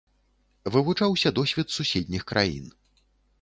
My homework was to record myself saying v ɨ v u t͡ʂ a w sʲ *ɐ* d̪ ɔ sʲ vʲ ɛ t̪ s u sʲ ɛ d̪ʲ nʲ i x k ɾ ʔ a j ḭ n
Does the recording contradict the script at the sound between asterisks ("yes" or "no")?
no